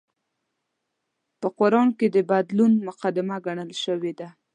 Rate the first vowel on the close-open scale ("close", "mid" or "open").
mid